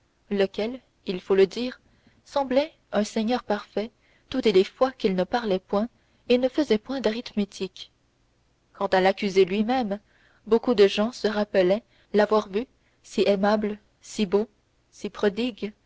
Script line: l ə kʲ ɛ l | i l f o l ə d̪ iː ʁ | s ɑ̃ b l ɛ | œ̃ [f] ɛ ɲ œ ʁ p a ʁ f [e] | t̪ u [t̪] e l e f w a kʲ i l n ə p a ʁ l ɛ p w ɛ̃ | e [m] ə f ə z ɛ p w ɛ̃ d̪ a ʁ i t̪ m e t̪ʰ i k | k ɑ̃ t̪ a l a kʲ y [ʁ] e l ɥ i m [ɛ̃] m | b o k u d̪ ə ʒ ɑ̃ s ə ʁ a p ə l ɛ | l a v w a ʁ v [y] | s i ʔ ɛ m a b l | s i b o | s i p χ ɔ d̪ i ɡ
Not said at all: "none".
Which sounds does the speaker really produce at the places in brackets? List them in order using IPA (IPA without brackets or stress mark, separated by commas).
s, ɛ, t̪, n, z, ɛ, y